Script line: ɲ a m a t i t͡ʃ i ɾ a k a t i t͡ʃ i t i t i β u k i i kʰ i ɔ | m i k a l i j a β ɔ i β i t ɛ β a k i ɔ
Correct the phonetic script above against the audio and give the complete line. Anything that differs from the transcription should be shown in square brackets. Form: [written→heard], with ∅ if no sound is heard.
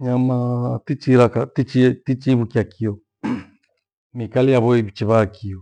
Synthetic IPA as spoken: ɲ a m a t i t͡ʃ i ɾ a k a t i t͡ʃ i t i [t→t͡ʃ] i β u k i [i→a] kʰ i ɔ | m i k a l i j a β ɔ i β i [t→t͡ʃ] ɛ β a k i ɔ

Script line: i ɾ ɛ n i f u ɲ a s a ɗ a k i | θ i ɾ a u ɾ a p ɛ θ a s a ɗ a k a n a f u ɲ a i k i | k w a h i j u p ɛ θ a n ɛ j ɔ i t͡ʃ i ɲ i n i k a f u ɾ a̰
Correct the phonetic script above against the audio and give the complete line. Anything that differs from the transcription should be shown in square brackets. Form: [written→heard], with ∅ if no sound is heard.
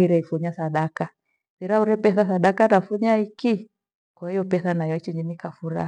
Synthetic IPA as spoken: i ɾ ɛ [n→∅] i f u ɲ a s a ɗ a k [i→a] | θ i ɾ a u ɾ [a→ɛ] p ɛ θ a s a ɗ a k a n a f u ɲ a i k i | k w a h i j [u→ɔ] p ɛ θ a n [ɛ→a] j ɔ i t͡ʃ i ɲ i n i k a f u ɾ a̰

